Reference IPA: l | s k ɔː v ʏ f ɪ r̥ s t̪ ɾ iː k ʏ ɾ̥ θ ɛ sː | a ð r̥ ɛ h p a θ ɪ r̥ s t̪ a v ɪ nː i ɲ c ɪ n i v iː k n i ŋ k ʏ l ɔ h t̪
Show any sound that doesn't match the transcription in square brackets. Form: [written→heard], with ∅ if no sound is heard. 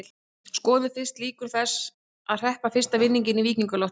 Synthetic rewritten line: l | s k ɔː [v→ð] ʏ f ɪ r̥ s t̪ [ɾ→l] iː k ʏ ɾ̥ θ ɛ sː | a ð r̥ ɛ h p a [θ→f] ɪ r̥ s t̪ a v ɪ nː i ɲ c ɪ n i v iː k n i ŋ k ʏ l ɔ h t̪